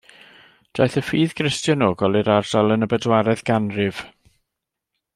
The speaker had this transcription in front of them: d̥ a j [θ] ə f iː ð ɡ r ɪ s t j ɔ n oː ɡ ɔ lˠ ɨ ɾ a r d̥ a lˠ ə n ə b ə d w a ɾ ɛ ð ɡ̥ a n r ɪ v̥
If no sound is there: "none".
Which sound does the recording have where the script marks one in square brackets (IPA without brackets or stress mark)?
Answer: θ